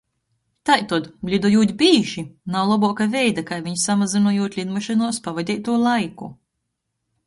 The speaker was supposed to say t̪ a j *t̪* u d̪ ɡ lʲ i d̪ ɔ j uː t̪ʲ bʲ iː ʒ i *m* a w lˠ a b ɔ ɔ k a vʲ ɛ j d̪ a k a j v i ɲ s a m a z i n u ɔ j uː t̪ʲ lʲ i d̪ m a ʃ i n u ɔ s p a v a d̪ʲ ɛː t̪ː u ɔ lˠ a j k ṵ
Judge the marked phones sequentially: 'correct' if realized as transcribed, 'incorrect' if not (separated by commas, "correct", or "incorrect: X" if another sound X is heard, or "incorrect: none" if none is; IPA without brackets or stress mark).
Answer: correct, incorrect: n